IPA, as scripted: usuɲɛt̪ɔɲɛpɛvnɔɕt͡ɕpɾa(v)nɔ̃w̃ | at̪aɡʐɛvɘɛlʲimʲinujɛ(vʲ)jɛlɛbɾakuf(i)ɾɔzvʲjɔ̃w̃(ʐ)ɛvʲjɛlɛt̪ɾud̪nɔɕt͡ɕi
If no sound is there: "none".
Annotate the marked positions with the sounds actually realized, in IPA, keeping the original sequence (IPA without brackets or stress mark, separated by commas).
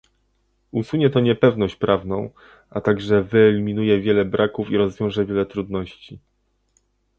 v, vʲ, i, ʐ